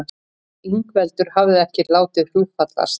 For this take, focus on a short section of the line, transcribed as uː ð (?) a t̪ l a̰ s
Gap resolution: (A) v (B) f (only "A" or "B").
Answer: B